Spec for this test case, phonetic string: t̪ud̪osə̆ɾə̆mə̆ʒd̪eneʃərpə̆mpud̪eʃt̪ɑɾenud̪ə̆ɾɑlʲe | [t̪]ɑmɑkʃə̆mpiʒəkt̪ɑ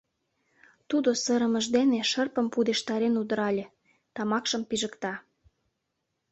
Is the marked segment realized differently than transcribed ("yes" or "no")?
no